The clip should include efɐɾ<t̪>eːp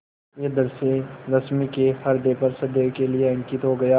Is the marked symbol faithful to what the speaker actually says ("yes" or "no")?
no